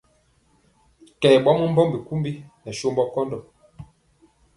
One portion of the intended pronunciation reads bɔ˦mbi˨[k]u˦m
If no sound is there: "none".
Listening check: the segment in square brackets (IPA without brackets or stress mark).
k